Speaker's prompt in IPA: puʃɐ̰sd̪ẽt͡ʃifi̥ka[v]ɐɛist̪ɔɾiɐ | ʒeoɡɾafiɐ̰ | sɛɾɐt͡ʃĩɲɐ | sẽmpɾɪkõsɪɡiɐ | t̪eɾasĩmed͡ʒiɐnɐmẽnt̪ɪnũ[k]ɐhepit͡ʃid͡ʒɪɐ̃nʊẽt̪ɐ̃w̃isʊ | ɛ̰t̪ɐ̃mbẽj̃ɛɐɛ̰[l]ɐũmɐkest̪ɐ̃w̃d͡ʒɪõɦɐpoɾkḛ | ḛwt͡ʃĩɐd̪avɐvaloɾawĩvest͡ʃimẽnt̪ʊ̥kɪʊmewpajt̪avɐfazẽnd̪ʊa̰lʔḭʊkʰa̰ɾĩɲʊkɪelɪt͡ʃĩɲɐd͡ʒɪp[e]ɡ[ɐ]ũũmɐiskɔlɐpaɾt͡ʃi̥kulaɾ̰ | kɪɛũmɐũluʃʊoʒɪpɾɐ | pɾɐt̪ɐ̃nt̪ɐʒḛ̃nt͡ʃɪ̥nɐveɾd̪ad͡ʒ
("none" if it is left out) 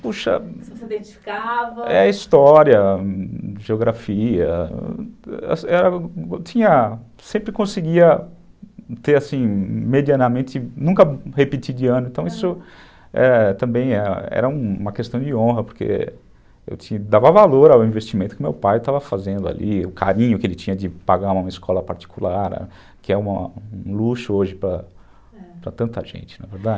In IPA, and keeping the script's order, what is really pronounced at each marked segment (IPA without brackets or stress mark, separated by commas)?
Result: v, k, ɾ, a, a